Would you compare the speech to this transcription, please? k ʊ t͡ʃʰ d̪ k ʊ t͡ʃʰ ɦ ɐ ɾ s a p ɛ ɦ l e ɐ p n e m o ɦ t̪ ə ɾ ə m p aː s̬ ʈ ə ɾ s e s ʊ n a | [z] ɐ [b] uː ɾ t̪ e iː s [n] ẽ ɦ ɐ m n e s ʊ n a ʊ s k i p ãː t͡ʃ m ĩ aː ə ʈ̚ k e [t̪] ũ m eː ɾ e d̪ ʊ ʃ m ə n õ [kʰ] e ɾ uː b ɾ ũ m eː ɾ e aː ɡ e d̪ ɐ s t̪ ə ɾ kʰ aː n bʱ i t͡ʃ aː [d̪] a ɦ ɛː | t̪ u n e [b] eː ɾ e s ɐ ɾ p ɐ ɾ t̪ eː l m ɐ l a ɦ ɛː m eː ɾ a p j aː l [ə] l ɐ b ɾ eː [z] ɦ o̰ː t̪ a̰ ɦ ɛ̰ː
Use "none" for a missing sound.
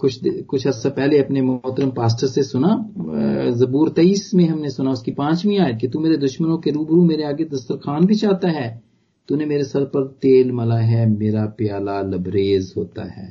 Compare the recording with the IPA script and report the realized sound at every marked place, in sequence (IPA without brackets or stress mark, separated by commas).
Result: z, b, m, t̪, k, t̪, m, a, z